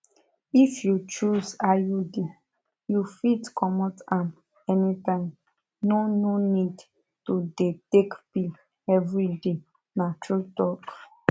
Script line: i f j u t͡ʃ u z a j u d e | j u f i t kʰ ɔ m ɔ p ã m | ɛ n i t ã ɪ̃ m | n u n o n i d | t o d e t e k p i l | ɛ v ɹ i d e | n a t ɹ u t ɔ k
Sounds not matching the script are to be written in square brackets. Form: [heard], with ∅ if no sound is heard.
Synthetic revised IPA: i f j u t͡ʃ u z a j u d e | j u f i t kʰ ɔ m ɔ [t] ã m | ɛ n i t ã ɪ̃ m | n [o] n o n i d | t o d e t e k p i l | ɛ v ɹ i d e | n a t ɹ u t ɔ k